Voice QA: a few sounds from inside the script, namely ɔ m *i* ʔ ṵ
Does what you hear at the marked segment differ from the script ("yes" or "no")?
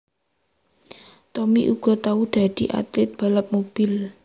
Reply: no